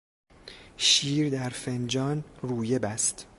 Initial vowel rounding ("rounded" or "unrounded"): unrounded